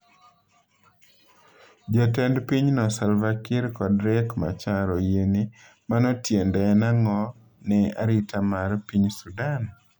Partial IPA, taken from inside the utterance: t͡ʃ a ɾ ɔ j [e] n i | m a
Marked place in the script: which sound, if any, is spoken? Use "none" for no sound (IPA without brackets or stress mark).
e